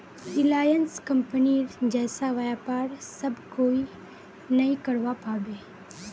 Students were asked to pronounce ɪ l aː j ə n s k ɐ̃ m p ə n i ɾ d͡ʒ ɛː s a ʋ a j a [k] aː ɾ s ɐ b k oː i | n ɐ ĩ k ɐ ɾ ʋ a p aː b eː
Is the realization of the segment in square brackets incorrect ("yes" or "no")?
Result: yes